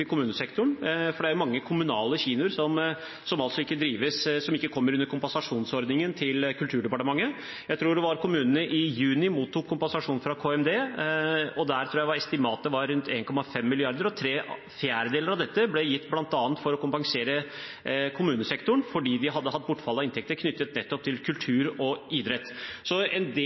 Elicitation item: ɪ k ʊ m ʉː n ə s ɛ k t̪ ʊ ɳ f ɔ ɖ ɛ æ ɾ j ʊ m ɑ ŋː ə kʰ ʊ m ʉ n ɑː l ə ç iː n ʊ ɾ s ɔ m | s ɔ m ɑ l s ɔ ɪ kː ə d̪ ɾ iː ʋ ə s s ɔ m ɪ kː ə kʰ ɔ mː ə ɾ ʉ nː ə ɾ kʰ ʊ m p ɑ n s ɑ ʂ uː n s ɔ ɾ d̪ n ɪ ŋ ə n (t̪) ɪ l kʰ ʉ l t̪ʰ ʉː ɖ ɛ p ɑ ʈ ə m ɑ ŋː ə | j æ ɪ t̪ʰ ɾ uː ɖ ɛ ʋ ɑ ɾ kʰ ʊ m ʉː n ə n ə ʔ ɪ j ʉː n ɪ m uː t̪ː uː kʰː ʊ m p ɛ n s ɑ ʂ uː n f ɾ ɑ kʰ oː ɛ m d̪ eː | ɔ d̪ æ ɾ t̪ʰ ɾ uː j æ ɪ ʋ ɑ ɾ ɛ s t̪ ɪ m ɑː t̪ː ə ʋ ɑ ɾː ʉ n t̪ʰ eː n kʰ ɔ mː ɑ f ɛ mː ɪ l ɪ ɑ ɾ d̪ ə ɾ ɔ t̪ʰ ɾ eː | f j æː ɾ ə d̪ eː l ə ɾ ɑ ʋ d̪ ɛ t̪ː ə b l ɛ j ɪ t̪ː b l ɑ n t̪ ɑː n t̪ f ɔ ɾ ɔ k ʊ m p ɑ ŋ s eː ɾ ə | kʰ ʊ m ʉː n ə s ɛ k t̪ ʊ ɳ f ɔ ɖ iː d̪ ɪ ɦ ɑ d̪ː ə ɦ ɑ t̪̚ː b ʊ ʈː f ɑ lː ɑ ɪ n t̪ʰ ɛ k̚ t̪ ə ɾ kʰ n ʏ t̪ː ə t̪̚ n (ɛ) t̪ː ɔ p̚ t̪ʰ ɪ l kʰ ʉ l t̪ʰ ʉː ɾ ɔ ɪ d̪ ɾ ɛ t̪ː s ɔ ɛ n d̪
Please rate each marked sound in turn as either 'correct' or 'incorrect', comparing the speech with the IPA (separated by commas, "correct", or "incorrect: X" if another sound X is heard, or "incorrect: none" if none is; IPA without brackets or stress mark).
incorrect: t̪ʰ, correct